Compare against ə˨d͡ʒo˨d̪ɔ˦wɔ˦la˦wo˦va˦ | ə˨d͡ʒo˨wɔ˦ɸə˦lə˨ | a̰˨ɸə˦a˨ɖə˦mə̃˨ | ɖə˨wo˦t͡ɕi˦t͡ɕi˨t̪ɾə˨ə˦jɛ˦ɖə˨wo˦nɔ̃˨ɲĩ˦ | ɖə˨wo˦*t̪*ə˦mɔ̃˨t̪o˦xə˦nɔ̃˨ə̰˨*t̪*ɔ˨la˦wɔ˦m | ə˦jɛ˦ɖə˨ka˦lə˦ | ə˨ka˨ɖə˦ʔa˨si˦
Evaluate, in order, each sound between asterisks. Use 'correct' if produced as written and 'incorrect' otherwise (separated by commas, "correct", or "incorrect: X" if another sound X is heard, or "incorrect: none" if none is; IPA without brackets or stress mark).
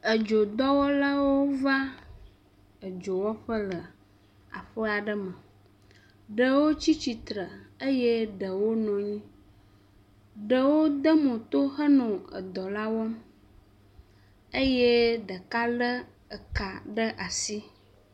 incorrect: d̪, incorrect: d̪